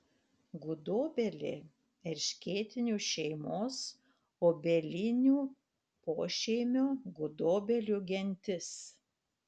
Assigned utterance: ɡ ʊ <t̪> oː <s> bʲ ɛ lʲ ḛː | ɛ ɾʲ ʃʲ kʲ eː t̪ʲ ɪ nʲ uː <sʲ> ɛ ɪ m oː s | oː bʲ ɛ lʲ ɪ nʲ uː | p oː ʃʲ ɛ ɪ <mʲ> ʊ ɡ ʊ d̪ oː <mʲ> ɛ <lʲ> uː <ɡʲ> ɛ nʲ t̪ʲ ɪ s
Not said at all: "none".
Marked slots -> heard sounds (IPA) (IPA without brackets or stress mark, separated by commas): d̪, none, ʃʲ, mʲ, bʲ, lʲ, ɡʲ